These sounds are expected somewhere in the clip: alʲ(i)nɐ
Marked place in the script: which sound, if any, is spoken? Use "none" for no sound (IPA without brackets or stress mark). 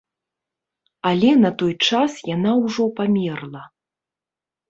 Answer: ɛ